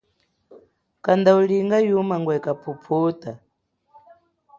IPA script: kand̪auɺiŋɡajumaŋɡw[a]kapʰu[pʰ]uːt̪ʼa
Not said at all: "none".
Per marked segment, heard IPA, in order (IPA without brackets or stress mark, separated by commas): ɛ, pʰ